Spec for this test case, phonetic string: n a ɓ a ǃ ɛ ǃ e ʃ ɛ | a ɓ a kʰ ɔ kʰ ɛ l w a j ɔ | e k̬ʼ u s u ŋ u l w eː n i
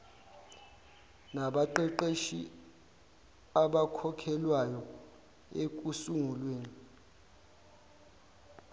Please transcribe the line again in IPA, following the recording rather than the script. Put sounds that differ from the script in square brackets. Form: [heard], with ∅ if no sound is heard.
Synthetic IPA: n a ɓ a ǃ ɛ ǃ e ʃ [i] | a ɓ a kʰ ɔ kʰ ɛ l w a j ɔ | e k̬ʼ u s u ŋ u l w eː n i